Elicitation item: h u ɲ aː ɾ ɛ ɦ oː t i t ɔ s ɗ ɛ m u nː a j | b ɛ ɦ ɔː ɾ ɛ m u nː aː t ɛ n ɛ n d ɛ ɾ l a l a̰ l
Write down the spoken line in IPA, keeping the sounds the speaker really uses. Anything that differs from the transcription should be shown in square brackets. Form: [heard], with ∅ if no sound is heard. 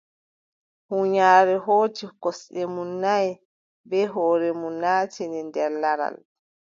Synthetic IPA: h u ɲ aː ɾ ɛ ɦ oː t i [k] ɔ s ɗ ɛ m u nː a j | b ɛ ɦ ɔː ɾ ɛ m u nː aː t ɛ n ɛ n d ɛ ɾ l a [ɾ] a̰ l